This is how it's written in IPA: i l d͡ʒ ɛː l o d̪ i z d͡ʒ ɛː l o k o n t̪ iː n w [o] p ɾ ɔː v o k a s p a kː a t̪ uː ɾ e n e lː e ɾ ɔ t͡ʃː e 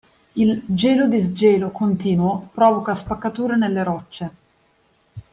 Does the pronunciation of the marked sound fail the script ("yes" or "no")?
no